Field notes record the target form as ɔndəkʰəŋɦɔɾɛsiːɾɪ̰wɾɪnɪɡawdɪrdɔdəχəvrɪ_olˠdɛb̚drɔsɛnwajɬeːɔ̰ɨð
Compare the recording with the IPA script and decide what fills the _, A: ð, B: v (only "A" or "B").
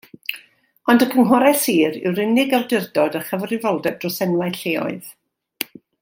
B